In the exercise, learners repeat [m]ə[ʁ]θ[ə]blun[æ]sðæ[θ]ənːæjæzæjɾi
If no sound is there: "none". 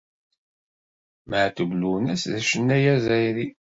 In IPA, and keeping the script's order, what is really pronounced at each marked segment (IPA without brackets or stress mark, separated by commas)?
m, ʕ, ə, æ, ʃ